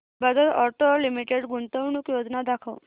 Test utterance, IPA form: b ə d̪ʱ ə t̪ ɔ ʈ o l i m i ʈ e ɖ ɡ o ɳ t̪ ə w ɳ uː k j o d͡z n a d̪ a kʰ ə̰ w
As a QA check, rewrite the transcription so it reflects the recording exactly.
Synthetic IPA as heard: b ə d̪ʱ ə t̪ ɔ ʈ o l i m i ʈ e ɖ ɡ u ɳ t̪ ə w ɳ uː k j o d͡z n a d̪ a kʰ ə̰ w

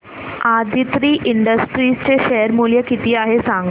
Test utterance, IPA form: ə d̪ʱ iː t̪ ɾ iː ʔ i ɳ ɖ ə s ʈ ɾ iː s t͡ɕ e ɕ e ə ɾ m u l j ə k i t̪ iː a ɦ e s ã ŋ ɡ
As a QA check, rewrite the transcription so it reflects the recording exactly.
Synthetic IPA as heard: a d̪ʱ i t̪ ɾ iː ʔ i ɳ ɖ ə s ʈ ɾ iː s t͡ɕ e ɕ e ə ɾ m u l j ə k i t̪ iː a ɦ e s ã ŋ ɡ

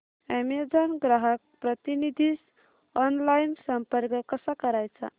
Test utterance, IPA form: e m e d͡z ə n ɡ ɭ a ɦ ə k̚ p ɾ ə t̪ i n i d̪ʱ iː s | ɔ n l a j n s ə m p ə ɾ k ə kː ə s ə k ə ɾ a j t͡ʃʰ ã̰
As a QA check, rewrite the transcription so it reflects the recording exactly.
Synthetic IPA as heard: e m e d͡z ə n ɡ ɾ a ɦ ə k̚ p ɾ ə t̪ i n i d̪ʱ i s | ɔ n l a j n s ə m p ə ɾ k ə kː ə s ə k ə ɾ a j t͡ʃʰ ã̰

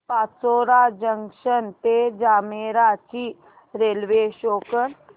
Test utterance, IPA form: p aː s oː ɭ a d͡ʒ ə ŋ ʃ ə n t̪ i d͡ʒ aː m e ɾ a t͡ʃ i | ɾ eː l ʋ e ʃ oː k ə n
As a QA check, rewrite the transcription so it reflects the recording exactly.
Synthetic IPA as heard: p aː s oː ɾ a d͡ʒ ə ŋ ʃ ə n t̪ e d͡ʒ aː m e ɾ a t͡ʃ i | ɾ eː l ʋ e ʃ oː k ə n

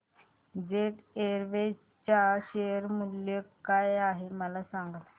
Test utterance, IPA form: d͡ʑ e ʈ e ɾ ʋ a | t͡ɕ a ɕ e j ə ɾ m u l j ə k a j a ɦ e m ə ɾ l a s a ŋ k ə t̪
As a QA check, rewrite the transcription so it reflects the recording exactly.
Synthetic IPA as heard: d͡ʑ e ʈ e ɾ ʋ e | t͡ɕ a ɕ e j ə ɾ m u l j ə k a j a ɦ e m ə l a s a ŋ ɡ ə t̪

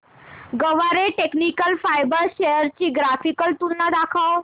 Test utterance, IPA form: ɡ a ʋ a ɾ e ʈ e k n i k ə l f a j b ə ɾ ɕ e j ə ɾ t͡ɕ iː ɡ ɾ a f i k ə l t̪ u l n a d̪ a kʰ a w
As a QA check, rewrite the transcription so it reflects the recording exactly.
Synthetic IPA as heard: ɡ ə ʋ a ɾ e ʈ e k n i k ə l f a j b ə ɾ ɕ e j ə ɾ t͡ɕ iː ɡ ɾ a f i k ə l t̪ u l n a d̪ a kʰ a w

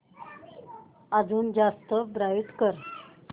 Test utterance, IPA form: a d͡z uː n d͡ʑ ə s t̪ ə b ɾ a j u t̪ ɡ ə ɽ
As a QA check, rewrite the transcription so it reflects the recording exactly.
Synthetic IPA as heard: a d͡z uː n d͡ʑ a s t̪ ə b ɾ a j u t̪ k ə ɾ

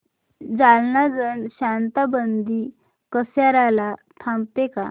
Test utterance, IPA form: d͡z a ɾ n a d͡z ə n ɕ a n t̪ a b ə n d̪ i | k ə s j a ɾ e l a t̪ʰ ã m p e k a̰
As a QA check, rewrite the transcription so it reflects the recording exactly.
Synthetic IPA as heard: d͡z a l n a d͡z ə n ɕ a n t̪ a b ə n d̪ i | k ə s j a ɾ a l a t̪ʰ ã m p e k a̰

